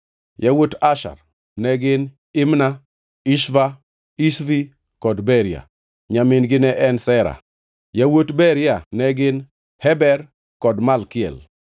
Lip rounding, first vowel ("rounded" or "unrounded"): unrounded